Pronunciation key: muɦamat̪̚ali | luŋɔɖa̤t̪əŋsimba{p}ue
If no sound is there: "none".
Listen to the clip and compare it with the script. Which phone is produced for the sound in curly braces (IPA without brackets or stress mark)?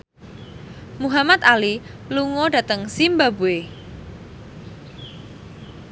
b